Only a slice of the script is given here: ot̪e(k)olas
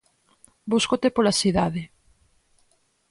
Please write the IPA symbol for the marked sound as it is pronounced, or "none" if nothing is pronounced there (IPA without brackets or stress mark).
p